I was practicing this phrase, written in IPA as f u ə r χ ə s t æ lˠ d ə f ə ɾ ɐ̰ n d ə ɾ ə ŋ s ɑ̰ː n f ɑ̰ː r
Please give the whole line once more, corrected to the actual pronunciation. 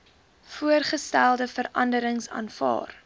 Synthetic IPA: f u ə r χ ə s t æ lˠ d ə f ə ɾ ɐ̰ n d ə ɾ ə ŋ s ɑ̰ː n f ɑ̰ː r